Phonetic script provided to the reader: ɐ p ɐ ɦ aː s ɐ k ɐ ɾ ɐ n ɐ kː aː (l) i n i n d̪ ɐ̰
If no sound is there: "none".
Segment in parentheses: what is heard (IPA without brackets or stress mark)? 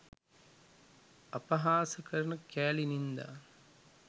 l